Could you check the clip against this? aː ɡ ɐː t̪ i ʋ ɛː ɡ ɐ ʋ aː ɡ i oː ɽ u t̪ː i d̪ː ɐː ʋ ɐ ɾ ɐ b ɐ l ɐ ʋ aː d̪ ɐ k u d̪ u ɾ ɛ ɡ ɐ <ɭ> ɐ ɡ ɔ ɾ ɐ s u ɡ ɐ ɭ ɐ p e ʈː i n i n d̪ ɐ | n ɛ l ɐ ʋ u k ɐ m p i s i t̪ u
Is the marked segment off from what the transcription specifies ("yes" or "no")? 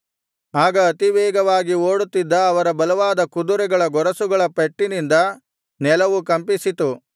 no